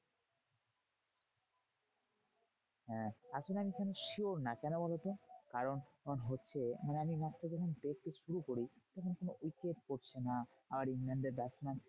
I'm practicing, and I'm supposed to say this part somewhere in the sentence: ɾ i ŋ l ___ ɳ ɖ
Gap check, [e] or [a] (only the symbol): a